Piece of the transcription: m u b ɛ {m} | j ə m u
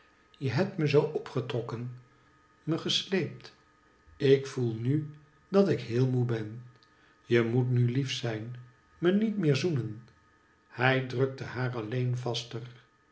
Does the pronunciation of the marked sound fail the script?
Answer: yes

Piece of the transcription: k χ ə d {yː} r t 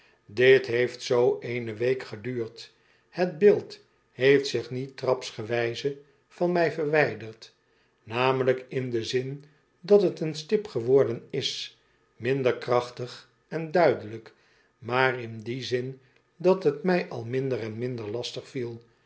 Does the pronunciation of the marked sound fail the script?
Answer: no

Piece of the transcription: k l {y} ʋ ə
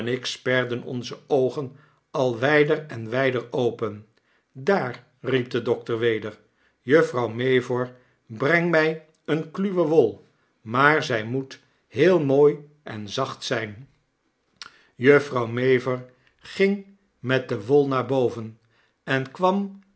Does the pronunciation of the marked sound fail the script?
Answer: no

